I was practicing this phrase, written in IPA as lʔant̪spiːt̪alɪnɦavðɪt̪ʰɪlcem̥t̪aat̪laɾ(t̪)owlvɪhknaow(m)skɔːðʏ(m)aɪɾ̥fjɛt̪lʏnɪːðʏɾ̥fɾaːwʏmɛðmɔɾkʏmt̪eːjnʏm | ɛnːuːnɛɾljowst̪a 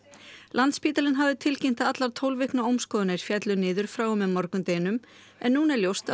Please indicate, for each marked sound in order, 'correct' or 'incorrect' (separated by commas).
incorrect, correct, incorrect